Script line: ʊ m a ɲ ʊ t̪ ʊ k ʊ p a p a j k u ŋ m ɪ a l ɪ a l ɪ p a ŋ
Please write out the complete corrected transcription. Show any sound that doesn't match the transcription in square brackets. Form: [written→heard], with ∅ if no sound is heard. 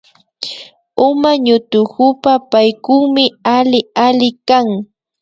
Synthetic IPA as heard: ʊ m a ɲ ʊ t̪ ʊ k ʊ p a p a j k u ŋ m ɪ a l ɪ a l ɪ [p→k] a ŋ

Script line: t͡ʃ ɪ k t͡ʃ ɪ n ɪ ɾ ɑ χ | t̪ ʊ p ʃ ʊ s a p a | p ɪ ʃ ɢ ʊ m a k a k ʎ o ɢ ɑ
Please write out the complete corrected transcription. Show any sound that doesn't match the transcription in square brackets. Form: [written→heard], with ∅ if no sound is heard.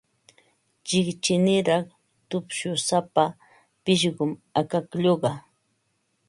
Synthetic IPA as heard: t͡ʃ ɪ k t͡ʃ ɪ n ɪ ɾ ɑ χ | t̪ ʊ p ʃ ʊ s a p a | p ɪ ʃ ɢ ʊ m a k a k ʎ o ɢ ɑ

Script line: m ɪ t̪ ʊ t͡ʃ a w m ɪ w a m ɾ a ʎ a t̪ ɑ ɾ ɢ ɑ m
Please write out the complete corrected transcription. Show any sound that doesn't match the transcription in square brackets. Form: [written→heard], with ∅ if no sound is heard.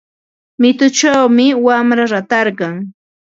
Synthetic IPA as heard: m ɪ t̪ ʊ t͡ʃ a w m ɪ w a m ɾ a [ʎ→ɾ] a t̪ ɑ ɾ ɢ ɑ [m→ŋ]

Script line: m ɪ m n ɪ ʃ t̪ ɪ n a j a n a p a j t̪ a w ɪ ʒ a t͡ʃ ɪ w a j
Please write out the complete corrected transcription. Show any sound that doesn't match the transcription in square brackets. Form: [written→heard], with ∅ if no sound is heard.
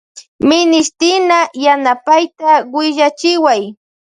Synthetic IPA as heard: m ɪ [m→∅] n ɪ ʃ t̪ ɪ n a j a n a p a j t̪ a w ɪ ʒ a t͡ʃ ɪ w a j

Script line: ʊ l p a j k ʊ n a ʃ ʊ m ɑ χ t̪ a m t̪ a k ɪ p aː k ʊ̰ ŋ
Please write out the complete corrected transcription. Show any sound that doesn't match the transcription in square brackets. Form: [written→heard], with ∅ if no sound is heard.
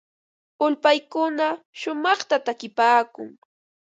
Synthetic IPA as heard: ʊ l p a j k ʊ n a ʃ ʊ m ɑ χ t̪ a [m→∅] t̪ a k ɪ p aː k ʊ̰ ŋ

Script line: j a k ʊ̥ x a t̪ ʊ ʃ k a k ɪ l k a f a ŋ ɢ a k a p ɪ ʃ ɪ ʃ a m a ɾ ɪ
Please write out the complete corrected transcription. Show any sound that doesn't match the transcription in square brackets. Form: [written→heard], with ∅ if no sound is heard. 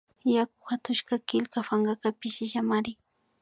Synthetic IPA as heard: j a k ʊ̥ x a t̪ ʊ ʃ k a k ɪ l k a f a ŋ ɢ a k a p ɪ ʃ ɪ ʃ a m a ɾ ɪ

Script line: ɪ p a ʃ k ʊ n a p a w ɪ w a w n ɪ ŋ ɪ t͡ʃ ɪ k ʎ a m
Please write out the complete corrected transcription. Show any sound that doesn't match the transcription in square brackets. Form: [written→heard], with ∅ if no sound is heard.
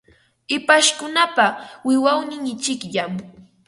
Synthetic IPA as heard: ɪ p a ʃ k ʊ n a p a w ɪ w a w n ɪ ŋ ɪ t͡ʃ ɪ k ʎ a m

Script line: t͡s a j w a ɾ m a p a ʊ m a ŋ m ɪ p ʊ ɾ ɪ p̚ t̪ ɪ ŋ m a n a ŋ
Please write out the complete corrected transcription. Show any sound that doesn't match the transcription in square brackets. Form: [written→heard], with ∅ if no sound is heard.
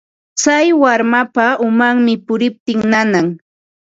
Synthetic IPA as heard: t͡s a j w a ɾ m a p a ʊ m a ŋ m ɪ p ʊ ɾ ɪ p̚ t̪ ɪ ŋ [m→n] a n a ŋ

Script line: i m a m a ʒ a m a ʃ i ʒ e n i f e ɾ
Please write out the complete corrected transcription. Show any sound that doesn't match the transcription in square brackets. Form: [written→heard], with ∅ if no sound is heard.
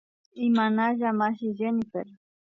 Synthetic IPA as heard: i m a [m→n] a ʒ a m a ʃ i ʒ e n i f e ɾ

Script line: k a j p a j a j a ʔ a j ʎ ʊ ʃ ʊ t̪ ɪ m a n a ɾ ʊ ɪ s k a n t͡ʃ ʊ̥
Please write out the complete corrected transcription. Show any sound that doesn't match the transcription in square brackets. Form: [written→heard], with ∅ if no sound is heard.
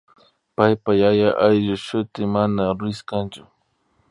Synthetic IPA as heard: [k→p] a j p a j a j a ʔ a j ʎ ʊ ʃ ʊ t̪ ɪ m a n a ɾ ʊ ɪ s k a n t͡ʃ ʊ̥

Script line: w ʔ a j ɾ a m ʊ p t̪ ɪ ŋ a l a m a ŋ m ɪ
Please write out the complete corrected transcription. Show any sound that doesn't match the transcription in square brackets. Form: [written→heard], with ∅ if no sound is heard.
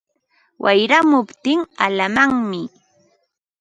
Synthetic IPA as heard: w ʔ a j ɾ a m ʊ p t̪ ɪ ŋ a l a m a ŋ m ɪ

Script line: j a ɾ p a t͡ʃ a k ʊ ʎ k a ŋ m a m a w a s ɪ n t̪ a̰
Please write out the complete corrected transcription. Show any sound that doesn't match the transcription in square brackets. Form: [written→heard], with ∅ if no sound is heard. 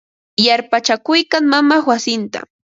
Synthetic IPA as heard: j a ɾ p a t͡ʃ a k ʊ [ʎ→j] k a ŋ m a m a w a s ɪ n t̪ a̰

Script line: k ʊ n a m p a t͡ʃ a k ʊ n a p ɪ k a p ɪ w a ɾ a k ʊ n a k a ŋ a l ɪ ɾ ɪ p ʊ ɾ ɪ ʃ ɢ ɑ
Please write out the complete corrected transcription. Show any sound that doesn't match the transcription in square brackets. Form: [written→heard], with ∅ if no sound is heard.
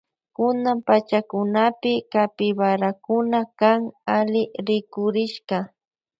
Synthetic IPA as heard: k ʊ n a m p a t͡ʃ a k ʊ n a p ɪ k a p ɪ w a ɾ a k ʊ n a k a ŋ a l ɪ ɾ ɪ [p→k] ʊ ɾ ɪ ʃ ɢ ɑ

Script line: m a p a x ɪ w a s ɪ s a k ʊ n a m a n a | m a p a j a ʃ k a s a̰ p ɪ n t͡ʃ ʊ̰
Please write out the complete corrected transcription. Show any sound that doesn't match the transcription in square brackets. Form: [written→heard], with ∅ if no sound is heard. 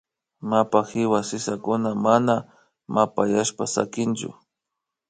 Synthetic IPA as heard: m a p a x ɪ w a s ɪ s a k ʊ n a m a n a | m a p a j a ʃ [k→p] a s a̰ [p→k] ɪ n t͡ʃ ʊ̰

